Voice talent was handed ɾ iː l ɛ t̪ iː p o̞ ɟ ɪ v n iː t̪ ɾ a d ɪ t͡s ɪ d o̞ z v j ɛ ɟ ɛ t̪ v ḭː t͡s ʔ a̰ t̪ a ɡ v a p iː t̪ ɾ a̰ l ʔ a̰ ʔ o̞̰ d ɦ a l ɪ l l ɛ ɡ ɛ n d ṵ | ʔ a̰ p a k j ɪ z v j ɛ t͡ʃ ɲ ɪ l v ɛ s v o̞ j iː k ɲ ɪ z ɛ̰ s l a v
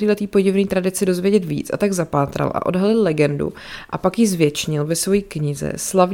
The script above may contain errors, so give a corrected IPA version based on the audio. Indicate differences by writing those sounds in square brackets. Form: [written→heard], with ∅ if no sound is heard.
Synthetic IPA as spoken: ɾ iː l ɛ t̪ iː p o̞ ɟ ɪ v n iː t̪ ɾ a d ɪ t͡s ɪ d o̞ z v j ɛ ɟ ɛ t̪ v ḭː t͡s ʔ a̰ t̪ a ɡ [v→z] a p [iː→aː] t̪ ɾ a̰ l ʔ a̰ ʔ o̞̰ d ɦ a l ɪ l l ɛ ɡ ɛ n d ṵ | ʔ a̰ p a k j ɪ z v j ɛ t͡ʃ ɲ ɪ l v ɛ s v o̞ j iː k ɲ ɪ z ɛ̰ s l a v